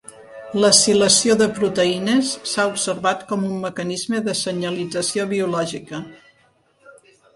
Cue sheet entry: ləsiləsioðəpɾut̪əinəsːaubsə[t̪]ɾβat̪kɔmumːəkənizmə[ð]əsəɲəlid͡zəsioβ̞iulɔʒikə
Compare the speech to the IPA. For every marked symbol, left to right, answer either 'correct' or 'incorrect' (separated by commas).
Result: incorrect, correct